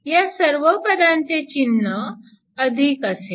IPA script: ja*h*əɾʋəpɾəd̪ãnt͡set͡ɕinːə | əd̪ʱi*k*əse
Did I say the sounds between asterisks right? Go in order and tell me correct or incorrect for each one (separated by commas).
incorrect, correct